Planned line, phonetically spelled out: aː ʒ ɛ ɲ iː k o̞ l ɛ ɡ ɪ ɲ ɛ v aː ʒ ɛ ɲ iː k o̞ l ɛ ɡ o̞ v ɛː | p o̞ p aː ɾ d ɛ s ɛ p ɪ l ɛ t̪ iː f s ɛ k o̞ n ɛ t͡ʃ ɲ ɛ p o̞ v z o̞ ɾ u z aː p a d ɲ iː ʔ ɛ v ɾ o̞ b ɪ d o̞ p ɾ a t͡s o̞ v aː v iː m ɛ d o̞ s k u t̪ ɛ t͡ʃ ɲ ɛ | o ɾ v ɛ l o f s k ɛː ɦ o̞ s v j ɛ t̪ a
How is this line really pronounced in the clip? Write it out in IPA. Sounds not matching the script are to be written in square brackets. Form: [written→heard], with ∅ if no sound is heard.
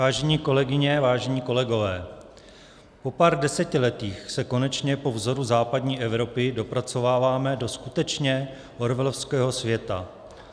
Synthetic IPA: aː ʒ ɛ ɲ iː k o̞ l ɛ ɡ ɪ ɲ ɛ v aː ʒ ɛ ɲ iː k o̞ l ɛ ɡ o̞ v ɛː | p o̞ p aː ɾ d ɛ s ɛ [p→c] ɪ l ɛ t̪ iː [f→x] s ɛ k o̞ n ɛ t͡ʃ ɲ ɛ p o̞ v z o̞ ɾ u z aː p a d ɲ iː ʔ ɛ v ɾ o̞ [b→p] ɪ d o̞ p ɾ a t͡s o̞ v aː v [iː→aː] m ɛ d o̞ s k u t̪ ɛ t͡ʃ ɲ ɛ | o ɾ v ɛ l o f s k ɛː ɦ o̞ s v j ɛ t̪ a